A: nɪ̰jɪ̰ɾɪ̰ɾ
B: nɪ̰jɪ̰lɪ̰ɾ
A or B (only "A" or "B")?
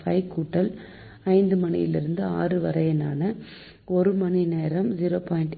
B